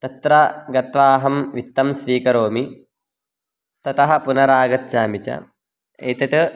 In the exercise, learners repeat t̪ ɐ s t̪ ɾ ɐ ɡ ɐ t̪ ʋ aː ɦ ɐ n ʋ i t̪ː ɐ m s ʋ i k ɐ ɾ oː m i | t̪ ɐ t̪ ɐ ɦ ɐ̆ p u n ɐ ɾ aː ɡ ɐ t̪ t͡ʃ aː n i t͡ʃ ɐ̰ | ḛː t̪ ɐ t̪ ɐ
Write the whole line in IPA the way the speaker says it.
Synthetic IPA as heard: t̪ ɐ t̪ ɾ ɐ ɡ ɐ t̪ ʋ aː ɦ ɐ m ʋ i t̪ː ɐ m s ʋ iː k ɐ ɾ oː m i | t̪ ɐ t̪ ɐ ɦ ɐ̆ p u n ɐ ɾ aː ɡ ɐ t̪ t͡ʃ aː m i t͡ʃ ɐ̰ | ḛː t̪ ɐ t̪ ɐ